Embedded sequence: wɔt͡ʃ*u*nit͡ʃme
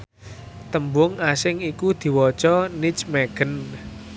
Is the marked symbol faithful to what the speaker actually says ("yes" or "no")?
no